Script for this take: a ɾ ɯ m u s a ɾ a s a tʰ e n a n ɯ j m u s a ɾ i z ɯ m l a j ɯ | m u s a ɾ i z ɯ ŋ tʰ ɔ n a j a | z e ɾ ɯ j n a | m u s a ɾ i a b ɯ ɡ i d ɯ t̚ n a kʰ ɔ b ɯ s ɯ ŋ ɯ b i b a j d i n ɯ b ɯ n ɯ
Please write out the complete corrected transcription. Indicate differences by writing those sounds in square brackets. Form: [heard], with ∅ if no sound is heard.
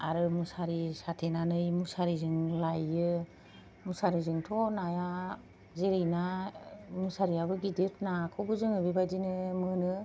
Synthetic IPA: a ɾ ɯ m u s a ɾ [i] s a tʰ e n a n ɯ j m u s a ɾ i z ɯ [ŋ] l a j ɯ | m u s a ɾ i z ɯ ŋ tʰ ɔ n a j a | z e ɾ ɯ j n a | m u s a ɾ i a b ɯ ɡ i d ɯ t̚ n a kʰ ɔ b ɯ [z] ɯ ŋ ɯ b i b a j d i n ɯ [m] ɯ n ɯ